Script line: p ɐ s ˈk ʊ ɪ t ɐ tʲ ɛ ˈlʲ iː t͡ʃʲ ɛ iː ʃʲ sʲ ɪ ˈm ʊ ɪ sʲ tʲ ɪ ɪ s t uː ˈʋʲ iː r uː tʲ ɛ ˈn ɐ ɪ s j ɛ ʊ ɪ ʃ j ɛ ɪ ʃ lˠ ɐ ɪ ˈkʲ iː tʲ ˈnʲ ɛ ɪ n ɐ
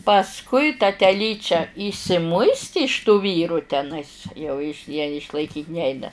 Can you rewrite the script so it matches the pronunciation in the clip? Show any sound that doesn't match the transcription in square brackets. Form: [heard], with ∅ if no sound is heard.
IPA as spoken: p ɐ s ˈk ʊ ɪ t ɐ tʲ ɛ ˈlʲ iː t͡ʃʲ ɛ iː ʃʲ sʲ ɪ ˈm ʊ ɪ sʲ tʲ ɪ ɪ [ʃ] t uː ˈʋʲ iː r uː tʲ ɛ ˈn ɐ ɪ s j ɛ ʊ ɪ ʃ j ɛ ɪ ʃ lˠ ɐ ɪ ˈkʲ iː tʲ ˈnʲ ɛ ɪ n ɐ